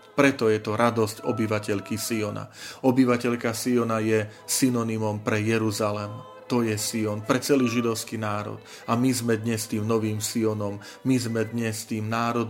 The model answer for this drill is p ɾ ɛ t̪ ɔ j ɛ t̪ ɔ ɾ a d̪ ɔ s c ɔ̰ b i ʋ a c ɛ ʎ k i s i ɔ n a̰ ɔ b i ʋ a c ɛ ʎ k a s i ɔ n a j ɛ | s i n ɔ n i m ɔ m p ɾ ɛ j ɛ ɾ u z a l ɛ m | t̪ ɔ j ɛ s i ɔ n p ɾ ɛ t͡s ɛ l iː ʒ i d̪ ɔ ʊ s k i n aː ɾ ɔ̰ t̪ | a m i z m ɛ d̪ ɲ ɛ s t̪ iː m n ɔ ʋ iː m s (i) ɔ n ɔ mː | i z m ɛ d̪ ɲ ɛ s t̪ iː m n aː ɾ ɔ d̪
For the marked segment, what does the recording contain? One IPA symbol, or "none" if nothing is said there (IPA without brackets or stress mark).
i